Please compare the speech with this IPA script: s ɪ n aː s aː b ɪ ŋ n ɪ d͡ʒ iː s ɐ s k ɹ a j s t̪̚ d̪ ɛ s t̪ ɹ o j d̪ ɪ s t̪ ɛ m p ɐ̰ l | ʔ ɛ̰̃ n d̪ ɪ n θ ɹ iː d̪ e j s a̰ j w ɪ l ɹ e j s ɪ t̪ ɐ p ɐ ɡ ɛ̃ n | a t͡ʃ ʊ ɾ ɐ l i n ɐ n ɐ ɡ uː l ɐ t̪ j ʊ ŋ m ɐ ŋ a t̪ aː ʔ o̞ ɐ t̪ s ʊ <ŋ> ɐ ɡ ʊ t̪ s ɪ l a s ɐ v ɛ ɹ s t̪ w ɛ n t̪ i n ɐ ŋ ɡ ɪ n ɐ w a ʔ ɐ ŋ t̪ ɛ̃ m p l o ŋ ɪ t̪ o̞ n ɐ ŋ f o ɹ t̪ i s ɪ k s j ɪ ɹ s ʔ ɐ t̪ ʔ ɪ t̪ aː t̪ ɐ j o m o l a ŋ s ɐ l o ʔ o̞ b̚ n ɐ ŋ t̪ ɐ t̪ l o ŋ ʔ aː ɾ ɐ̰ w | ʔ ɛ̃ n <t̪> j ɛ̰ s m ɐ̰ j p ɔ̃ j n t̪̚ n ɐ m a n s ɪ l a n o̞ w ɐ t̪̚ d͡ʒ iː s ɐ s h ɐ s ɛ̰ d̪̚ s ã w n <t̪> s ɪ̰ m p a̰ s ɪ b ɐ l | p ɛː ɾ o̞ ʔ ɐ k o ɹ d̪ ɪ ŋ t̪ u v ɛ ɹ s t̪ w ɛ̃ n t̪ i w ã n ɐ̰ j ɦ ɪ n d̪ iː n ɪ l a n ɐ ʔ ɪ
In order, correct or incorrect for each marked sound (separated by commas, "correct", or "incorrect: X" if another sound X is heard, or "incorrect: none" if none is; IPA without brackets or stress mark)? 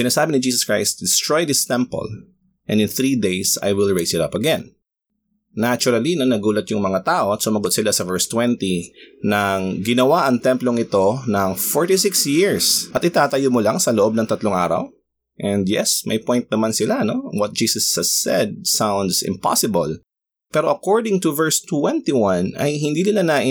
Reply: incorrect: m, incorrect: d̪, incorrect: d̪